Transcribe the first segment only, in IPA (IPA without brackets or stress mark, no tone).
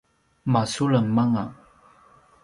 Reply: m